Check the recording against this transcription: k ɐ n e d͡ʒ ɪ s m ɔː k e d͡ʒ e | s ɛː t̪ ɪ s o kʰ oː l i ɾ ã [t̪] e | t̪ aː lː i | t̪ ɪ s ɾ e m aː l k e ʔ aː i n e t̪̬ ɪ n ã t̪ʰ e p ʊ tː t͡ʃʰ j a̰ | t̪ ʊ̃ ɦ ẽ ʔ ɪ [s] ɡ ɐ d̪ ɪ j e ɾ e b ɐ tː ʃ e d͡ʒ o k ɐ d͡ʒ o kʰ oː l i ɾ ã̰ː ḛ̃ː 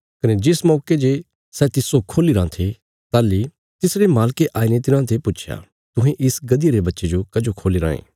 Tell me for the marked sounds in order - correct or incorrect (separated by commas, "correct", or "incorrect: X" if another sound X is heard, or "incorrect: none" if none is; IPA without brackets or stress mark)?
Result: incorrect: t̪ʰ, correct